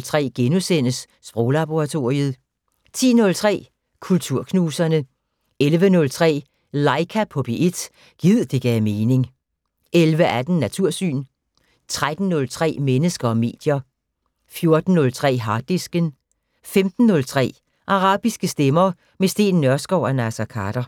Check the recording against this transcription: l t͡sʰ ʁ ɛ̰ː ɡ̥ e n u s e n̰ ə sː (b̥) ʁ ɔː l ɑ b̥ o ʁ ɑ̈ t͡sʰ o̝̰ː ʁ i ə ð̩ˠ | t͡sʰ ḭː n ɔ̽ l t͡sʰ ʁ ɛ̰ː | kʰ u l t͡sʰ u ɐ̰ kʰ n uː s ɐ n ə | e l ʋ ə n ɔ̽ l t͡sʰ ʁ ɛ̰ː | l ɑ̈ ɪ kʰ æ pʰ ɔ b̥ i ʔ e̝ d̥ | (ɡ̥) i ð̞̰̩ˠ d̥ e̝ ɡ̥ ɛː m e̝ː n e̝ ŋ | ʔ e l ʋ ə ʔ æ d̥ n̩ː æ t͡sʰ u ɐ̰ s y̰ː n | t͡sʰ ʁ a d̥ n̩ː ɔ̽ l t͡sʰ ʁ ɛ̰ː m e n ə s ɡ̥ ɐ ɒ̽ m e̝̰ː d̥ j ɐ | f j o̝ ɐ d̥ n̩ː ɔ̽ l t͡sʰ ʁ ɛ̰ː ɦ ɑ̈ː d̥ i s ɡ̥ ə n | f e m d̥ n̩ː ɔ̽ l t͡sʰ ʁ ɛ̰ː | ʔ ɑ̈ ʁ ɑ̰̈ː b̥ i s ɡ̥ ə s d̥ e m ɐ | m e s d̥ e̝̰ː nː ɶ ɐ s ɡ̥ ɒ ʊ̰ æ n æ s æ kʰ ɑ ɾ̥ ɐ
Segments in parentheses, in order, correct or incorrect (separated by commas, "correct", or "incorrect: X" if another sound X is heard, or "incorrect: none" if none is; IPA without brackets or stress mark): correct, correct